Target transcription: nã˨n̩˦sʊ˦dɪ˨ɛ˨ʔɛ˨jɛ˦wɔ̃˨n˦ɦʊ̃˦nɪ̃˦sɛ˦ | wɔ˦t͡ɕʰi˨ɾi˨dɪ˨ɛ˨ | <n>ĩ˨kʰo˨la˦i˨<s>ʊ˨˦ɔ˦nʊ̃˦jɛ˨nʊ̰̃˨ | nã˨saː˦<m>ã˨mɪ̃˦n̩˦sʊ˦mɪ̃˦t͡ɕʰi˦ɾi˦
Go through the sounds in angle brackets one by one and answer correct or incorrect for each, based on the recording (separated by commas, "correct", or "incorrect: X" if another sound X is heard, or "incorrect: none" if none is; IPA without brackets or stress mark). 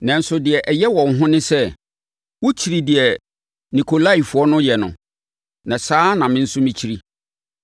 correct, incorrect: f, incorrect: n